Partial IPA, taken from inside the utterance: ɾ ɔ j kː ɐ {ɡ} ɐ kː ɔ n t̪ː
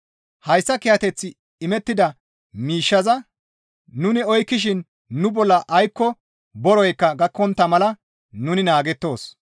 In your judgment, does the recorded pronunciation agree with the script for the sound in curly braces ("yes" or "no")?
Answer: yes